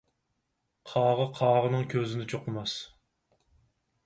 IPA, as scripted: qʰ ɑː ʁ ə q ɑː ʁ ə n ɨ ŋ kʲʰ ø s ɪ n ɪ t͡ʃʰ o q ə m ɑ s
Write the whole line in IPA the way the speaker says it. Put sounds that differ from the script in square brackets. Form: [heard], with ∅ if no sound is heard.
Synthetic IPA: qʰ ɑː ʁ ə [qʰ] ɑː ʁ ə n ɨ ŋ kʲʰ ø [z] ɪ n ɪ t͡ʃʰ o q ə m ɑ s